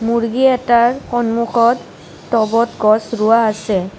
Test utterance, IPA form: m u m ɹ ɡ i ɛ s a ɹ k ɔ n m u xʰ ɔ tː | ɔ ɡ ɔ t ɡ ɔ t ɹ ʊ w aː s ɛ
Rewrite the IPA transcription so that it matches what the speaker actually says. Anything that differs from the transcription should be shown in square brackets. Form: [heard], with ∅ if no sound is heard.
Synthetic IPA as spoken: m u [∅] ɹ ɡ i ɛ [t] a ɹ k ɔ n m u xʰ ɔ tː | ɔ [b] ɔ t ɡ ɔ [s] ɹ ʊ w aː s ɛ

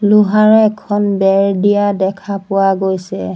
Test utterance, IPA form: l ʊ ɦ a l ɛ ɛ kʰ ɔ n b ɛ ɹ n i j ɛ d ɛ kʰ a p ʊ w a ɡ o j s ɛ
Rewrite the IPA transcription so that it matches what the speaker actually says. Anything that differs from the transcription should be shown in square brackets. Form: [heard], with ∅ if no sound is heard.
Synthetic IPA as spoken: l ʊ ɦ a [ɹ] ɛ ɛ kʰ ɔ n b ɛ ɹ [d] i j [a] d ɛ kʰ a p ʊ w a ɡ o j s ɛ

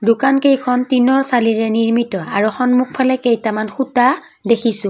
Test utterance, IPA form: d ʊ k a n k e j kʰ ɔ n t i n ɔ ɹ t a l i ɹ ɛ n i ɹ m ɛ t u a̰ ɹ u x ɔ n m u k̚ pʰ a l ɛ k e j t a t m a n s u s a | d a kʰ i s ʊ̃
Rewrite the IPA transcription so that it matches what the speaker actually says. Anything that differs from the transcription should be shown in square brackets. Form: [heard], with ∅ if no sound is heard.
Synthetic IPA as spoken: d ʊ k a n k e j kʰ ɔ n t i n ɔ ɹ [s] a l i ɹ ɛ n i ɹ m [i] t [ɔ] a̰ ɹ u x ɔ n m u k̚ pʰ a l ɛ k e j t a [∅] m a n [x] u [t] a | d [e] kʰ i s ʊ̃

